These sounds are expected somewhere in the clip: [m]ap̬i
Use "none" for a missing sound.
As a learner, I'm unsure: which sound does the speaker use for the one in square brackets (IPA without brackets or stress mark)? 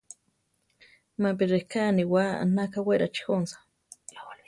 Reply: m